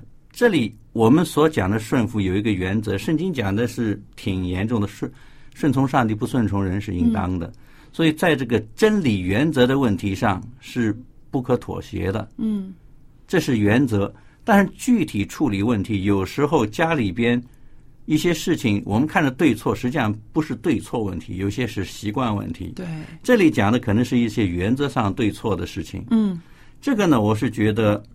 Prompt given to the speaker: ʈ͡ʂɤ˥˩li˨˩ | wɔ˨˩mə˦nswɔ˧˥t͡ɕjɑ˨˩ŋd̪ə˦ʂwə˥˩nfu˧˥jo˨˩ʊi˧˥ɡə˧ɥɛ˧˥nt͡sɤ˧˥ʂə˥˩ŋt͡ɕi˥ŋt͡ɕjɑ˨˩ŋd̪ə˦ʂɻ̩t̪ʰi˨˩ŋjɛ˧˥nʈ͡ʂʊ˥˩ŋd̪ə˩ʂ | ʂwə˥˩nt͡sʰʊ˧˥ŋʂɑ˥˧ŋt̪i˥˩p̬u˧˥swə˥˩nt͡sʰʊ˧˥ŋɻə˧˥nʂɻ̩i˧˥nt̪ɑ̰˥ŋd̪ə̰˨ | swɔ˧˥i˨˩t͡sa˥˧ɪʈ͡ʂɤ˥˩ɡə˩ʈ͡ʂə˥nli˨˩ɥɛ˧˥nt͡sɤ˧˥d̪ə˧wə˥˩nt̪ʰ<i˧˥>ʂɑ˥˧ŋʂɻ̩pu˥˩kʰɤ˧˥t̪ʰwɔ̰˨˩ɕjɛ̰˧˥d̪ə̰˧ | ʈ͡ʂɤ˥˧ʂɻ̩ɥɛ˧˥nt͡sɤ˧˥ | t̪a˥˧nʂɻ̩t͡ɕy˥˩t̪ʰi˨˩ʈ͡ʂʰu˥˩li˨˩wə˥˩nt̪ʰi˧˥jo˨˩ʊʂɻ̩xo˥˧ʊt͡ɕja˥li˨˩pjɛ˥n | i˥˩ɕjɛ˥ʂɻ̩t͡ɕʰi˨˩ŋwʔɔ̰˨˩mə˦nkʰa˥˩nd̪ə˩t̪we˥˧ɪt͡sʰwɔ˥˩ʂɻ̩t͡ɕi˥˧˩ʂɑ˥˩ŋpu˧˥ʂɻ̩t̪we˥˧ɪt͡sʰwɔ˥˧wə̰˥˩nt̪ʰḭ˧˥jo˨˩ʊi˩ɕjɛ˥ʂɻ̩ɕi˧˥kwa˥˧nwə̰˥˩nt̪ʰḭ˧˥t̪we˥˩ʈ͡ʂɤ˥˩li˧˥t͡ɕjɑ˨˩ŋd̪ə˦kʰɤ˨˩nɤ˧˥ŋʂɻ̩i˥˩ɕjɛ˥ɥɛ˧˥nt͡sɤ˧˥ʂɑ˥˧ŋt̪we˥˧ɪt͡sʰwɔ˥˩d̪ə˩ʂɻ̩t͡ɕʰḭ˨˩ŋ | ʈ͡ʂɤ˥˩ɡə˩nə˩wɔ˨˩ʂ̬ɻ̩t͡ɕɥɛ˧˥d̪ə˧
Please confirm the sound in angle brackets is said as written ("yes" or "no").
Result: yes